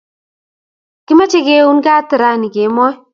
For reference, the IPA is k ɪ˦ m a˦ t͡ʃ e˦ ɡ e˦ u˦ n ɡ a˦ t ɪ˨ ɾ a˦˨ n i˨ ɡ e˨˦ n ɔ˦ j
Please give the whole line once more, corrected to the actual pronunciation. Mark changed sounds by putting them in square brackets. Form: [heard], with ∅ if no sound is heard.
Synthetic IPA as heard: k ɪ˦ m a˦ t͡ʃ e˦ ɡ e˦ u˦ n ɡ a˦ t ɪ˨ ɾ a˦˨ n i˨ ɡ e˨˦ [m] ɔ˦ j